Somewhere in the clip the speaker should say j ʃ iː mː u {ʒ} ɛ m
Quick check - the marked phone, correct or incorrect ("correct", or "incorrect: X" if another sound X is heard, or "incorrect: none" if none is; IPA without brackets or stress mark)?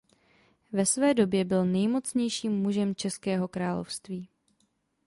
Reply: correct